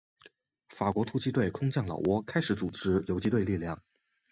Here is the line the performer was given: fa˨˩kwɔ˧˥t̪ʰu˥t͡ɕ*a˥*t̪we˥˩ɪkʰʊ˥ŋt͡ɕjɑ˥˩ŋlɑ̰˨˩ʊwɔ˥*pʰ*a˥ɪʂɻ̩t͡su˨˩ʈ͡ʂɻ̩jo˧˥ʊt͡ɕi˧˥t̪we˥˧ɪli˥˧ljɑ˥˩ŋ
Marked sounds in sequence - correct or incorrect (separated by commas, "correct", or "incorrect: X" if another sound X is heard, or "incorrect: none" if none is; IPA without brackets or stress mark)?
incorrect: i˥, incorrect: kʰ